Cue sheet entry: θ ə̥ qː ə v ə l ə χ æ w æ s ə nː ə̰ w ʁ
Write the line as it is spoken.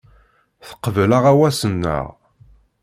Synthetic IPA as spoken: θ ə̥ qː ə v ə l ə ʁ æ w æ s ə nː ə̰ ʁ